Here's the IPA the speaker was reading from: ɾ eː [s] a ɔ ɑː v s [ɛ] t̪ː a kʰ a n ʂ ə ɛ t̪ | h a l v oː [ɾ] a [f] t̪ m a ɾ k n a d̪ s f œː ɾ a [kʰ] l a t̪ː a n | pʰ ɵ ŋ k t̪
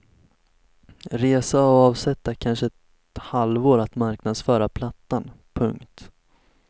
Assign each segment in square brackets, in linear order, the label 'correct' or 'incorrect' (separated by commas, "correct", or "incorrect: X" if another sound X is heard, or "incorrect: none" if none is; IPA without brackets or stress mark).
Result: correct, correct, correct, incorrect: none, incorrect: pʰ